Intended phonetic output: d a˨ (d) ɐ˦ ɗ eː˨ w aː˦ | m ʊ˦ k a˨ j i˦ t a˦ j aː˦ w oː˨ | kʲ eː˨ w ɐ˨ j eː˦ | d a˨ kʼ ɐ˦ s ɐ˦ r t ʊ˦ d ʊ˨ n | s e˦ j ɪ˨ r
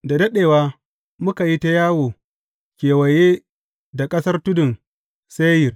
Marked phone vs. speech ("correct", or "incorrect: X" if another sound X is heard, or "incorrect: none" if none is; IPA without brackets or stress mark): correct